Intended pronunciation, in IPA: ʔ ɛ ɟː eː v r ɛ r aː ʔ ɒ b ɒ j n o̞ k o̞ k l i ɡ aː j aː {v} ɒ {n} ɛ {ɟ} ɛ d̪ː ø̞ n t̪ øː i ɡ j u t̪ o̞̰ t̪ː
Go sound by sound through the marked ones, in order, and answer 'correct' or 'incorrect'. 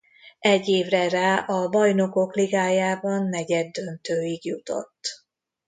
incorrect: b, incorrect: nː, correct

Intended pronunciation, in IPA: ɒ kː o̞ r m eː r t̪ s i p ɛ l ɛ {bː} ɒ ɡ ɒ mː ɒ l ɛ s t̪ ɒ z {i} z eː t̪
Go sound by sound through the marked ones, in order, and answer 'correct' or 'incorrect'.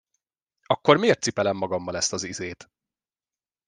incorrect: mː, correct

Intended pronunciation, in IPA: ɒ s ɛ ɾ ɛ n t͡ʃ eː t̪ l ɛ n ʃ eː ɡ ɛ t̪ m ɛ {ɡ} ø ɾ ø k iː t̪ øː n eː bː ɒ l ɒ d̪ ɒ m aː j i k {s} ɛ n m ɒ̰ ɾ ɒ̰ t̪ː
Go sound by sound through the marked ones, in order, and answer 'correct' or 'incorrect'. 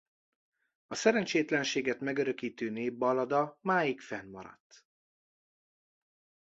correct, incorrect: f

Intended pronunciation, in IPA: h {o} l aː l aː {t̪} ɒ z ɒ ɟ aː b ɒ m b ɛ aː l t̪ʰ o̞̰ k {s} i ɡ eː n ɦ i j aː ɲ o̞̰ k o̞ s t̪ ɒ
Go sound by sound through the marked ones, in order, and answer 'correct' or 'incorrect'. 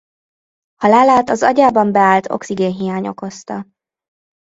incorrect: ɒ, correct, correct

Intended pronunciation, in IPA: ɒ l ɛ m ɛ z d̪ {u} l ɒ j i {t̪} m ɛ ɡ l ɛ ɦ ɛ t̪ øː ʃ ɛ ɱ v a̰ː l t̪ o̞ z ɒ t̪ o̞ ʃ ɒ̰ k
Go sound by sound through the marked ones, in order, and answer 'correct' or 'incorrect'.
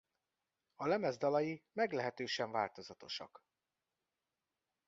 incorrect: ɒ, incorrect: none

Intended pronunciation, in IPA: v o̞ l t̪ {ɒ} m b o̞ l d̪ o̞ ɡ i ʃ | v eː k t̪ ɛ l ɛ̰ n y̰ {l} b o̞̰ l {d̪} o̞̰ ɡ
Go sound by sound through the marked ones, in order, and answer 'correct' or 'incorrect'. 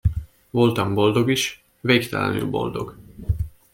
correct, correct, correct

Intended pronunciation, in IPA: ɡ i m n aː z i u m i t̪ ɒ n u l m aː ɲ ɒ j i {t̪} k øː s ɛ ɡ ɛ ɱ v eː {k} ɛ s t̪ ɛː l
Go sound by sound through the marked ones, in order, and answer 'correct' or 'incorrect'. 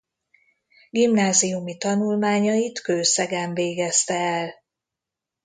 correct, incorrect: ɡ

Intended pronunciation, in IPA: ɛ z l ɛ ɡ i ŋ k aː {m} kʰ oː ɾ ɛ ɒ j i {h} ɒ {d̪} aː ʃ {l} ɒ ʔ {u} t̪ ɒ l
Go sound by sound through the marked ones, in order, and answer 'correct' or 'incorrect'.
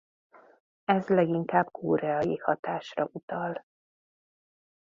incorrect: b, correct, incorrect: t̪, incorrect: r, correct

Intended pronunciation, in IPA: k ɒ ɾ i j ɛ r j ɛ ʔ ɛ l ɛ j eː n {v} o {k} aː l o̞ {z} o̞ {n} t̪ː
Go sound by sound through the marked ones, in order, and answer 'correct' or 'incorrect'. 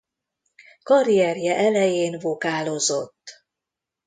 correct, correct, correct, incorrect: none

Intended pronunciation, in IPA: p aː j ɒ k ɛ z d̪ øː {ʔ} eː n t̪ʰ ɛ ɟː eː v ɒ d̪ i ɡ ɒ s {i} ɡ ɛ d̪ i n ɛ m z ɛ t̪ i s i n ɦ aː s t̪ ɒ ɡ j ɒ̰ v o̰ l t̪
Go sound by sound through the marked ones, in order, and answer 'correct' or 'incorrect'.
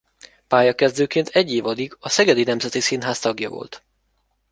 incorrect: k, incorrect: ɛ

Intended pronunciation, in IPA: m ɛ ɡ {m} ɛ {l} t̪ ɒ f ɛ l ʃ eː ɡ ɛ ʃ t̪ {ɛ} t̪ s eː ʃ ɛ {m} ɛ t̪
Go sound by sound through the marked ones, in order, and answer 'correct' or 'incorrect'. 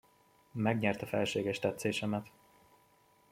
incorrect: ɲ, incorrect: r, correct, correct

